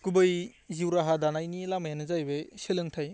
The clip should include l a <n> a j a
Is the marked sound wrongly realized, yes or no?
yes